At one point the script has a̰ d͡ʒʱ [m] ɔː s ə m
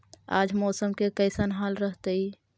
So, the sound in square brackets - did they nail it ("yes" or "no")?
yes